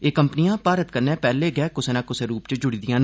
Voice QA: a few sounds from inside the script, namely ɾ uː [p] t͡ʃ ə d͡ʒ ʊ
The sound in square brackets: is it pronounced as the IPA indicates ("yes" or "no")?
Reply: yes